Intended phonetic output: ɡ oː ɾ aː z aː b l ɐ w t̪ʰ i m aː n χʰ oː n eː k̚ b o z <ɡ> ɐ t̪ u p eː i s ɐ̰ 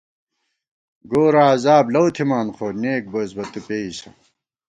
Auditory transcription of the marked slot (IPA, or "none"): b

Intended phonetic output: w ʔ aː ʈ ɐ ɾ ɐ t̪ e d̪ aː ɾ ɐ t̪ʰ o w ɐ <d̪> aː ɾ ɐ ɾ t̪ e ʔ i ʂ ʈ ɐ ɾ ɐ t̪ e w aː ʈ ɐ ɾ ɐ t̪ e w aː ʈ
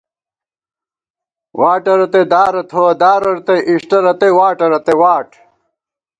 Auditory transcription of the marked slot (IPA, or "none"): d̪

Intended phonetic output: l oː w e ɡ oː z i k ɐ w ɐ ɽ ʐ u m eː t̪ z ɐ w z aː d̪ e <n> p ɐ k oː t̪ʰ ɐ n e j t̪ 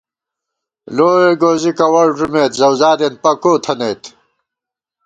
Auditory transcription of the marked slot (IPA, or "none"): n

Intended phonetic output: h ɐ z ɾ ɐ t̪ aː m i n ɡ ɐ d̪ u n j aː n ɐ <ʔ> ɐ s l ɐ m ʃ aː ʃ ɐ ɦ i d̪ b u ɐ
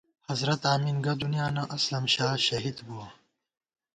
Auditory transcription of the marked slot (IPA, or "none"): ʔ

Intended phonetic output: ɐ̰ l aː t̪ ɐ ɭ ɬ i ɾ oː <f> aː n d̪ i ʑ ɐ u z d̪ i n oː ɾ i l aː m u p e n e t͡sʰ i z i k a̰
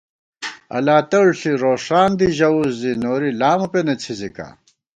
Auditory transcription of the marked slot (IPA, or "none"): ʂ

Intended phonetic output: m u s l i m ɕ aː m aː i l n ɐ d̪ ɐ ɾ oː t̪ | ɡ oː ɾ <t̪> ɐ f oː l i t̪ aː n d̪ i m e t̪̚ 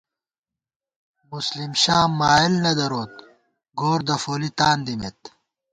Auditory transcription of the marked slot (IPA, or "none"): d̪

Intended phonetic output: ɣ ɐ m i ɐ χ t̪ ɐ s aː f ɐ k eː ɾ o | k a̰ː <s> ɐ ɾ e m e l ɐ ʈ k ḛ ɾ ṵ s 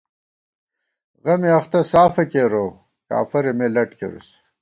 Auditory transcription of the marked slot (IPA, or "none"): f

